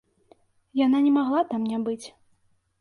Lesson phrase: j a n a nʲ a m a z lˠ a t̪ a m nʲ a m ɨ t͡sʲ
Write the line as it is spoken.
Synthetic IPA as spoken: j a n a nʲ ɛ m a ɣ lˠ a t̪ a m nʲ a b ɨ t͡sʲ